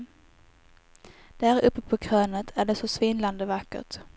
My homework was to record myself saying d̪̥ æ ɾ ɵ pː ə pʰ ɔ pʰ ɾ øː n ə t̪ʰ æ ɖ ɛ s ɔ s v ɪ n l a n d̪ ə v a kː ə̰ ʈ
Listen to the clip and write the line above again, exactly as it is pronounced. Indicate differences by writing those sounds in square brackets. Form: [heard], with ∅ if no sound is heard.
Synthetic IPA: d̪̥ æ ɾ ɵ pː ə pʰ ɔ [kʰ] ɾ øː n ə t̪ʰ æ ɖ ɛ s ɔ s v ɪ n l a n d̪ ə v a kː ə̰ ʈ